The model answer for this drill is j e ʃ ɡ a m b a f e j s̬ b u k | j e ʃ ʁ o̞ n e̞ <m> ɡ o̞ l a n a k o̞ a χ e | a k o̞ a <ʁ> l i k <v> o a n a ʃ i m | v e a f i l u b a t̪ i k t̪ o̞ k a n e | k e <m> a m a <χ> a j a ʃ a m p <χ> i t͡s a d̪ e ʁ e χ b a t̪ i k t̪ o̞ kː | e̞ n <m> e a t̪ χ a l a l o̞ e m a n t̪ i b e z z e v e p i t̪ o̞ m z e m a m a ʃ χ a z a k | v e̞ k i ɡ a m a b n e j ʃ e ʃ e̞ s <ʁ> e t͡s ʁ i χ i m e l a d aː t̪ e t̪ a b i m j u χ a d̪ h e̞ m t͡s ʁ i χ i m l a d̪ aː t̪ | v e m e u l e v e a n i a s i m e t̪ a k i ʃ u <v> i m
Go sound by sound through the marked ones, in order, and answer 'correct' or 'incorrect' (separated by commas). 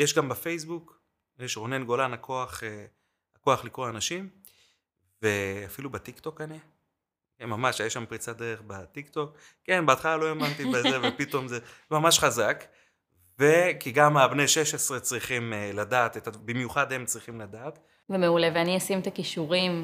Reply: incorrect, incorrect, incorrect, correct, incorrect, incorrect, incorrect, correct, incorrect